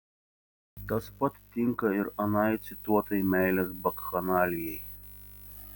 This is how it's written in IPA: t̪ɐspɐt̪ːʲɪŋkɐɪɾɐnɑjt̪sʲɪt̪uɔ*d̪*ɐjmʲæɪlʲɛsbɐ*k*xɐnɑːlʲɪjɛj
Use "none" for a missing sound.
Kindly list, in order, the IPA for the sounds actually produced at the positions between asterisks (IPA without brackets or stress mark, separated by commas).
t̪, k